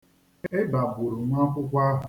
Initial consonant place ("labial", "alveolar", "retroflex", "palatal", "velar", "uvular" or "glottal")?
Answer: labial